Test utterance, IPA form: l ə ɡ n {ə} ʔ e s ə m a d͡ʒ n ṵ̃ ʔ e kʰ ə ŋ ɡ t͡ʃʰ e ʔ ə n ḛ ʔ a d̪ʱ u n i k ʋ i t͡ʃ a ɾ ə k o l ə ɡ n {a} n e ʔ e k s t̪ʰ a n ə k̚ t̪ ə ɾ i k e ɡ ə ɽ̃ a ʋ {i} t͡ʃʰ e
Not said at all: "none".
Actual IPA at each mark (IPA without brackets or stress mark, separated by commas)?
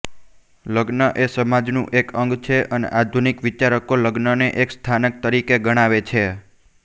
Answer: ə, ə, e